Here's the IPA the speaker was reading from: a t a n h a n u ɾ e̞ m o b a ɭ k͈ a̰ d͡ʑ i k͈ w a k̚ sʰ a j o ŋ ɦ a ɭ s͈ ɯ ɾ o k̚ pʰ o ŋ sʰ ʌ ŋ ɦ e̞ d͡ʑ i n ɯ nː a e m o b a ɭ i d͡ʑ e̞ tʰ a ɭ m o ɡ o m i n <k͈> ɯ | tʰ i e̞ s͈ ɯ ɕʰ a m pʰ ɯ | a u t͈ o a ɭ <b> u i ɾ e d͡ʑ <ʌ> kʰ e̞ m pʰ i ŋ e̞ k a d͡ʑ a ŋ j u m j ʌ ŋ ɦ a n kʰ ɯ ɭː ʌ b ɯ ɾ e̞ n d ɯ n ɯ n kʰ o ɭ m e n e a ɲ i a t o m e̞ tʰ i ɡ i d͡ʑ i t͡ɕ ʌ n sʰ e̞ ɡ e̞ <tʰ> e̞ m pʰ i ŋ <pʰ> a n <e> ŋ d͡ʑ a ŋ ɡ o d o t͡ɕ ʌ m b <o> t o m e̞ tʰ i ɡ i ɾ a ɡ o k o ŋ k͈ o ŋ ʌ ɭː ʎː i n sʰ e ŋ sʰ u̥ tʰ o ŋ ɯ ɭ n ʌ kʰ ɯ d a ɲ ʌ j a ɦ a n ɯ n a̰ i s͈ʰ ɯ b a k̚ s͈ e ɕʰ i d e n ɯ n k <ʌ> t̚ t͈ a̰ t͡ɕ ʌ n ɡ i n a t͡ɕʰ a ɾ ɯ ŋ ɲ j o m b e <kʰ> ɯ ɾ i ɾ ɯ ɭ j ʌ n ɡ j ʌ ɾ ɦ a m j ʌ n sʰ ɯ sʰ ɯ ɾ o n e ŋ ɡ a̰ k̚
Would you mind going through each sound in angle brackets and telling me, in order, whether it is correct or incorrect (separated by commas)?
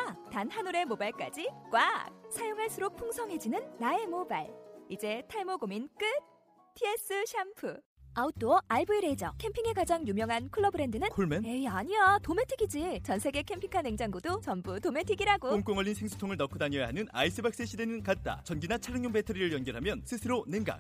correct, correct, correct, incorrect, incorrect, correct, incorrect, incorrect, incorrect